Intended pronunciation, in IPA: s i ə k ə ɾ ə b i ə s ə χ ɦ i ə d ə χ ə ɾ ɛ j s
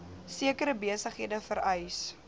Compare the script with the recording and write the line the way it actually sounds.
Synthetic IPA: s i ə k ə ɾ ə b i ə s ə χ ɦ i ə d ə f ə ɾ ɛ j s